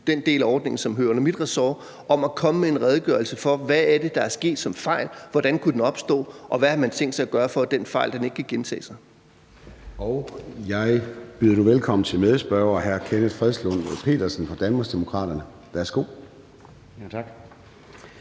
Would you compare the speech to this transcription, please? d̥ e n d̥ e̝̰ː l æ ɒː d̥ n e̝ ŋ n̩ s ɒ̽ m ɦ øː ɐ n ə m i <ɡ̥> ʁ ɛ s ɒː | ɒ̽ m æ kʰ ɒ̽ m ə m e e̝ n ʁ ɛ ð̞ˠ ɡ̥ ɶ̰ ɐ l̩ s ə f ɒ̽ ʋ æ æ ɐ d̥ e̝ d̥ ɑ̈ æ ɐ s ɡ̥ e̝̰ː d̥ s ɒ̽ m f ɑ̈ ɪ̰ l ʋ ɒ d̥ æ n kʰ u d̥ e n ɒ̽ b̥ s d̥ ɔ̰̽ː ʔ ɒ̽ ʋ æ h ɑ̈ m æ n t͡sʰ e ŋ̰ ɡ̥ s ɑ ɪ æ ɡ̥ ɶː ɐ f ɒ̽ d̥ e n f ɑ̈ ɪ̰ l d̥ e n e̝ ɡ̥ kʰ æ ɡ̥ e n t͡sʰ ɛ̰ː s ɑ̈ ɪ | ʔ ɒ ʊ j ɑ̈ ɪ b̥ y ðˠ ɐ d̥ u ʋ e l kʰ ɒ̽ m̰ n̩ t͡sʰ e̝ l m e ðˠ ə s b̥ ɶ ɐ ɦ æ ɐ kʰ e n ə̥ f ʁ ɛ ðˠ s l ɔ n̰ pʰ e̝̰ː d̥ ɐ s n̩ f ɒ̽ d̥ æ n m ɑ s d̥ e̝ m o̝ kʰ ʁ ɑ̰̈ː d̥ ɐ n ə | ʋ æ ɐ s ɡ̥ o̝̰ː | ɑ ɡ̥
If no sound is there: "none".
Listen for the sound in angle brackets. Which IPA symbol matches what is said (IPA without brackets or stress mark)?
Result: d̥